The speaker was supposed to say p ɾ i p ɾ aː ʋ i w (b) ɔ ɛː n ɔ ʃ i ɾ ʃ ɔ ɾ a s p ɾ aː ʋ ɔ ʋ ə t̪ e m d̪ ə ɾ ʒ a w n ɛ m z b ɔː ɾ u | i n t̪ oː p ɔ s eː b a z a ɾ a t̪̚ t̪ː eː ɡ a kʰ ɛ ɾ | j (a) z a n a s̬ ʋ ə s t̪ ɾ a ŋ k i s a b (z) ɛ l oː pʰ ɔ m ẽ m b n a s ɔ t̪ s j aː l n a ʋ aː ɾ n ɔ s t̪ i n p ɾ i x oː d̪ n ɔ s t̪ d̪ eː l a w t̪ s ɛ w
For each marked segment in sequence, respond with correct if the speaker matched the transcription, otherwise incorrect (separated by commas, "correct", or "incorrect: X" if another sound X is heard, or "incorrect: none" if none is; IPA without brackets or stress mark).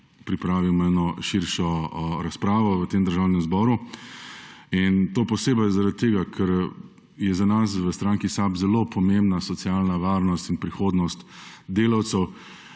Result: incorrect: m, incorrect: ɛ, correct